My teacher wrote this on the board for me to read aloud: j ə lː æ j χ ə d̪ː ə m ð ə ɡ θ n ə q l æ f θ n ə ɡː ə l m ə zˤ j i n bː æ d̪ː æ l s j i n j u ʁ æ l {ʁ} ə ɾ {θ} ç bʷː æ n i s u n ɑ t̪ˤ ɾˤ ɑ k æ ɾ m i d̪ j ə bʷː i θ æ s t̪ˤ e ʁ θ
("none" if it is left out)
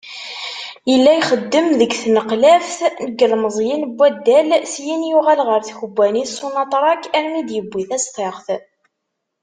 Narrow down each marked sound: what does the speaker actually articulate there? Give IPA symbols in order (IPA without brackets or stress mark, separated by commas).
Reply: ʁ, θ